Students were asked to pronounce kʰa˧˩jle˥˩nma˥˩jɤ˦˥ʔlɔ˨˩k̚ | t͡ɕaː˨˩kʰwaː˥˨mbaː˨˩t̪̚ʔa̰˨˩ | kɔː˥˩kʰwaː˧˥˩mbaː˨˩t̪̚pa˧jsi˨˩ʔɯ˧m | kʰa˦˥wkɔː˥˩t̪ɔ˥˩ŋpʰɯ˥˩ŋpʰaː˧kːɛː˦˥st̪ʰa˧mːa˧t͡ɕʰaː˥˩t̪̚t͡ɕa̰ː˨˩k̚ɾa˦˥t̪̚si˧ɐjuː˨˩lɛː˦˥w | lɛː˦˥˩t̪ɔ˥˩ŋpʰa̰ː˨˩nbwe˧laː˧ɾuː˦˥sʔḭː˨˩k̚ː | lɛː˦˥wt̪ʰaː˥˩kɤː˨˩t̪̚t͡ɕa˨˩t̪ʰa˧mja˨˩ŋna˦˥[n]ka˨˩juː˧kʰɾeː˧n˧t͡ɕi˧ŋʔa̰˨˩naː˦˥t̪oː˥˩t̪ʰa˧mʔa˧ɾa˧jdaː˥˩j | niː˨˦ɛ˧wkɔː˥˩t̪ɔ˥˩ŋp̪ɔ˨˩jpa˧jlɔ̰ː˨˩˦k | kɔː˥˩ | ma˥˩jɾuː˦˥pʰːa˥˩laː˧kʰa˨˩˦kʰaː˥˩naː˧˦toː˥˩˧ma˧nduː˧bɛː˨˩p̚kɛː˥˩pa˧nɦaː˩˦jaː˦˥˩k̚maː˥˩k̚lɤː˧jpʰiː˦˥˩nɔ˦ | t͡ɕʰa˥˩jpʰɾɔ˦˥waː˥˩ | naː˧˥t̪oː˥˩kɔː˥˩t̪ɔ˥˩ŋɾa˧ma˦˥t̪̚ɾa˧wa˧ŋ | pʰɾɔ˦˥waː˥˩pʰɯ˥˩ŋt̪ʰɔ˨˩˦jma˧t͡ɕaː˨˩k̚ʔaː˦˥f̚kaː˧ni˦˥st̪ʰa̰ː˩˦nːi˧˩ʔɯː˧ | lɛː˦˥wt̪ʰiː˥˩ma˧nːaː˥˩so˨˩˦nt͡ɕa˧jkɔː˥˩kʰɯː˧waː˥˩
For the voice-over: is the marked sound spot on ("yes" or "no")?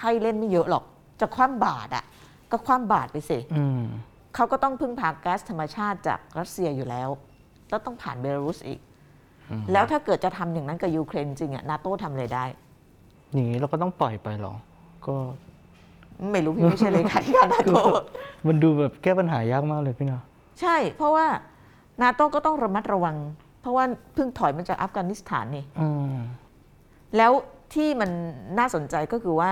yes